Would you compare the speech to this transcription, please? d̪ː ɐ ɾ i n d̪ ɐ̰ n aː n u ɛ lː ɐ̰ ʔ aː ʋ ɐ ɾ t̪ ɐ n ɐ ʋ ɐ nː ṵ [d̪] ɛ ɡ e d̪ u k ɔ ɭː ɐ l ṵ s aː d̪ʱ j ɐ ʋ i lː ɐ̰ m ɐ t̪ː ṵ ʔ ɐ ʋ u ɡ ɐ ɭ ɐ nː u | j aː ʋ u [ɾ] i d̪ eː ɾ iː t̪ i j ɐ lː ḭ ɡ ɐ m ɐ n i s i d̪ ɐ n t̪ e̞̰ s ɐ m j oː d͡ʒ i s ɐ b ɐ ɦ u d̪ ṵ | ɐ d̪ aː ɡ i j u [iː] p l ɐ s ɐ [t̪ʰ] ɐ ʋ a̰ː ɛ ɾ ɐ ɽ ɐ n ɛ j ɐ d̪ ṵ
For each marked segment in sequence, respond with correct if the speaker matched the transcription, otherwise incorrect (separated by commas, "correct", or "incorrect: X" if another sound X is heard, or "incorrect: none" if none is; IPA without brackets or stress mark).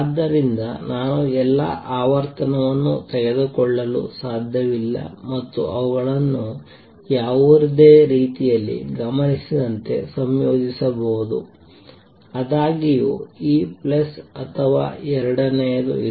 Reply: incorrect: t̪, correct, correct, correct